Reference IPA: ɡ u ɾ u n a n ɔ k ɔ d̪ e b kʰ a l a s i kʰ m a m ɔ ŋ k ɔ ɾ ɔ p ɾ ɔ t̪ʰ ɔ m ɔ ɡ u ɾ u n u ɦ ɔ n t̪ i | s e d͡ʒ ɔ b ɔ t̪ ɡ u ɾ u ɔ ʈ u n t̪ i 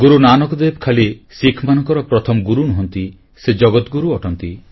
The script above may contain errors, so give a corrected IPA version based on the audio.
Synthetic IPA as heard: ɡ u ɾ u n a n ɔ k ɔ d̪ e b kʰ a l i s i kʰ m a n ɔ ŋ k ɔ ɾ ɔ p ɾ ɔ t̪ʰ ɔ m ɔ ɡ u ɾ u n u ɦ ɔ n t̪ i | s e d͡ʒ ɔ ɡ ɔ t̪ ɡ u ɾ u ɔ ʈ ɔ n t̪ i